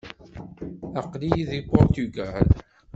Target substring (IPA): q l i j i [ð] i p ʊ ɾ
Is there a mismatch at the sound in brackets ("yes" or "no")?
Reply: no